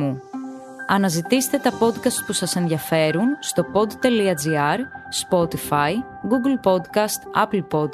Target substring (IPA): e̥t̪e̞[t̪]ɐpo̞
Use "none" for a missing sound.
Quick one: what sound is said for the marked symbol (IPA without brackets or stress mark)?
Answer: t̪